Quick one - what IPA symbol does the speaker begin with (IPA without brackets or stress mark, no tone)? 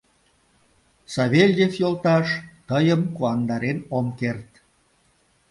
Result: s